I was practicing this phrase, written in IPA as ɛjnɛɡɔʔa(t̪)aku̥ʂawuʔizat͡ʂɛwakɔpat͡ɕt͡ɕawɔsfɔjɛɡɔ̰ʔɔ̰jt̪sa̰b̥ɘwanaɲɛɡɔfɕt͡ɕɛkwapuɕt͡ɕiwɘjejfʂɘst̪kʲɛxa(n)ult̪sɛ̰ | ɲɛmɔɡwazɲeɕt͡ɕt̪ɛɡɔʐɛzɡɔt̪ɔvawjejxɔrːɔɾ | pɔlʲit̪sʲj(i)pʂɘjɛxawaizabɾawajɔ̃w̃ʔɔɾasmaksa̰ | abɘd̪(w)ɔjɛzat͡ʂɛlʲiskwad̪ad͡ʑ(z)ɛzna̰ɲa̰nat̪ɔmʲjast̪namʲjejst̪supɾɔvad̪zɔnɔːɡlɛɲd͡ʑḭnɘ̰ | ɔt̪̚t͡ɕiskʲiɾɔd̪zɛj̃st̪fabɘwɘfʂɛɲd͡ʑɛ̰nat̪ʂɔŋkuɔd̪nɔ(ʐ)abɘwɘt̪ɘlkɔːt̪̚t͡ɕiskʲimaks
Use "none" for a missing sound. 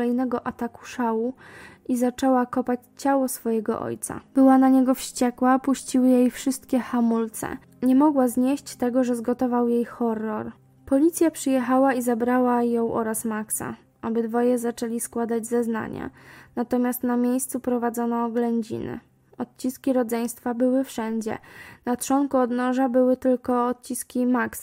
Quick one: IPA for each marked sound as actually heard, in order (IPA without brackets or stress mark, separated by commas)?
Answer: t̪, m, a, v, z, ʐ